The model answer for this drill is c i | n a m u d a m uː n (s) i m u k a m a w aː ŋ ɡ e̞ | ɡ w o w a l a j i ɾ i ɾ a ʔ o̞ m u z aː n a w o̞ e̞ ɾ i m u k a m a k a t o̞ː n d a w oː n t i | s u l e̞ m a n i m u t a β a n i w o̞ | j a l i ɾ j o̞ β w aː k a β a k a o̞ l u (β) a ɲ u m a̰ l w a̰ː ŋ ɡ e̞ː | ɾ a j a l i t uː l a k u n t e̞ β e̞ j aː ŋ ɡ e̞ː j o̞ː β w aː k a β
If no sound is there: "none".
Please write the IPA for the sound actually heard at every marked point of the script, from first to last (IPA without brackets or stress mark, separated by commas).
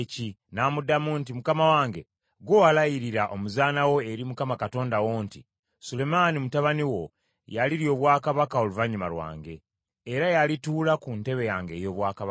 t, v